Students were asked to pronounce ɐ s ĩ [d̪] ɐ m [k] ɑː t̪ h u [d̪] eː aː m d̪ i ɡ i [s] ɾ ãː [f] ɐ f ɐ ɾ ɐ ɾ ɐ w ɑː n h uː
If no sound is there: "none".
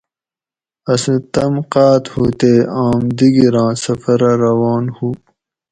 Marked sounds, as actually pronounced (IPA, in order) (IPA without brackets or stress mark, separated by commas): t̪, q, t̪, none, s